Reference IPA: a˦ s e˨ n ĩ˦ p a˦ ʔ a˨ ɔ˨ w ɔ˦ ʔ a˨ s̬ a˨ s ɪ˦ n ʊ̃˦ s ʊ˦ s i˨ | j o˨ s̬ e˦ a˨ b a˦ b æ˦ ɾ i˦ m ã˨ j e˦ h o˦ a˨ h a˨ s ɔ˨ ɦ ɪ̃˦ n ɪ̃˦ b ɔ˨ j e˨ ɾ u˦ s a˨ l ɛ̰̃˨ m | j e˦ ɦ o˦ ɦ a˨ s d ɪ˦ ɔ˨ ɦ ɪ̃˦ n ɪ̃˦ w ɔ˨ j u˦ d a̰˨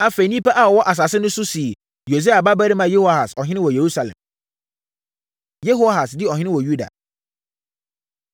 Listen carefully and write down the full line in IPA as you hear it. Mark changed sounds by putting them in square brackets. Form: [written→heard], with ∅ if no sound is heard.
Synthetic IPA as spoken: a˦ [s→f] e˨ n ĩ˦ p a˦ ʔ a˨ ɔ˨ w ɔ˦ ʔ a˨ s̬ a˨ s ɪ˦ n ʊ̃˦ s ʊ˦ s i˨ | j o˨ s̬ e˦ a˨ b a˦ b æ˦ ɾ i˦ m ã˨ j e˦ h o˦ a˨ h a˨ s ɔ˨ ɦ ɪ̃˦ n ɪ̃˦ [b→w] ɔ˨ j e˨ ɾ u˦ s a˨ l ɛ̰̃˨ m | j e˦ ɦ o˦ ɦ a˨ s d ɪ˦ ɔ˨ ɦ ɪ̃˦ n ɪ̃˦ w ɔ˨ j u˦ d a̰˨

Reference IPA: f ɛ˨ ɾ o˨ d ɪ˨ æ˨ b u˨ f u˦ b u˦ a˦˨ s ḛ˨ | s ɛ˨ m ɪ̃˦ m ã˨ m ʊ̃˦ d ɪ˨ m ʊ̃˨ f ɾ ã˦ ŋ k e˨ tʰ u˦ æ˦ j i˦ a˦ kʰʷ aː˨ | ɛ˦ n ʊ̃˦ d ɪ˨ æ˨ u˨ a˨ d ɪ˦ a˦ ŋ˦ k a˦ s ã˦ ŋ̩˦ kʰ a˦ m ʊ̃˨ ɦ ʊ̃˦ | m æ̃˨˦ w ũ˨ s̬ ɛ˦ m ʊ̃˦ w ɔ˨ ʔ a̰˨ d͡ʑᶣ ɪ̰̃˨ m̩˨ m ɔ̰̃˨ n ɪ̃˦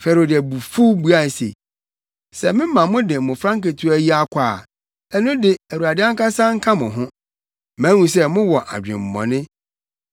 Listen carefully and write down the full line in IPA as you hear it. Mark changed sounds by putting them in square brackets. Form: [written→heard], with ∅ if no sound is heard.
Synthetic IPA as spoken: f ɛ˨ ɾ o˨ d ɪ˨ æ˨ b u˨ f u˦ b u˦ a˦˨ s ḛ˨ | s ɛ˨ m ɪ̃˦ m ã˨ m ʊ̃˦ d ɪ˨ m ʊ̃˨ f ɾ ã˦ ŋ k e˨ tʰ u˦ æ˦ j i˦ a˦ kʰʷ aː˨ | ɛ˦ n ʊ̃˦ d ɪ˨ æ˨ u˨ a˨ d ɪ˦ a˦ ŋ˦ k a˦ s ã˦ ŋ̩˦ kʰ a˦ m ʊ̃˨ ɦ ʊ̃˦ | m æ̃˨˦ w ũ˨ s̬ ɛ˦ m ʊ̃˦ w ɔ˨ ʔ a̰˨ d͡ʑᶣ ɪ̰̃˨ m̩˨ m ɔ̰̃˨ n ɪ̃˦

